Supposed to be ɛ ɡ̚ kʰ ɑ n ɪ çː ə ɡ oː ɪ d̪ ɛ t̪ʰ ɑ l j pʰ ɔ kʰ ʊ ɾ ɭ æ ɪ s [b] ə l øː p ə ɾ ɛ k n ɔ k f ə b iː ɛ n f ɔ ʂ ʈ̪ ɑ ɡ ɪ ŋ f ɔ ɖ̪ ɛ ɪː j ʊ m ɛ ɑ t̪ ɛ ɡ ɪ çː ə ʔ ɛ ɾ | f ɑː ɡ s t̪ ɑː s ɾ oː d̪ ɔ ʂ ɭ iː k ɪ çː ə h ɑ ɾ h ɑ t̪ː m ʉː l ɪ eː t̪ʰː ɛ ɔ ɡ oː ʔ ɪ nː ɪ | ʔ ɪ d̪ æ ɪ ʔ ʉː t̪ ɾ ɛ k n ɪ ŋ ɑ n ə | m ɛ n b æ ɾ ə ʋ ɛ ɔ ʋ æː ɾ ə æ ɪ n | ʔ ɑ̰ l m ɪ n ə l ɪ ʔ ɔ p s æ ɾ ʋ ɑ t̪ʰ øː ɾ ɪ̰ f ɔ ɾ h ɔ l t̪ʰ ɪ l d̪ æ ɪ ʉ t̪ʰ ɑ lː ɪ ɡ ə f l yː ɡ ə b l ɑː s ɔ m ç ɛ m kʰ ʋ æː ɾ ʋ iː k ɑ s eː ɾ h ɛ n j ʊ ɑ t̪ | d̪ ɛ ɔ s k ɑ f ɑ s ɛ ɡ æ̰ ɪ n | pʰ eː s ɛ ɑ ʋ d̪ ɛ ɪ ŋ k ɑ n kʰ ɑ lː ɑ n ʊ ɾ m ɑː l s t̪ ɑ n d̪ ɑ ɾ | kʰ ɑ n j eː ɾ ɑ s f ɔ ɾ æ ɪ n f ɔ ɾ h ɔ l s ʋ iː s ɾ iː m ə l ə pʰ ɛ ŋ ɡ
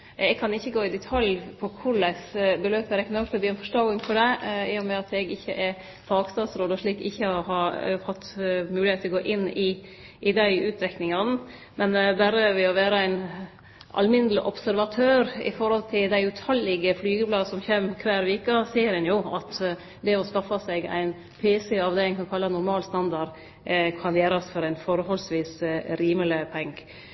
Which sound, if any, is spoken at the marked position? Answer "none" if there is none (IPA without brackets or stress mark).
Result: b